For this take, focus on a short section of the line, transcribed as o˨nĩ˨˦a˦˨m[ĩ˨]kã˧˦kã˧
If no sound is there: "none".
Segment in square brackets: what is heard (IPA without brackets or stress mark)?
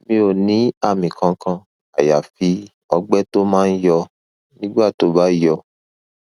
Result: ĩ˨